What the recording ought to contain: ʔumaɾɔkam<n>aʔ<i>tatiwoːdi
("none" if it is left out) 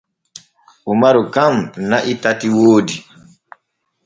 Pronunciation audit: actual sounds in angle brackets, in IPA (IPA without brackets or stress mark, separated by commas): n, i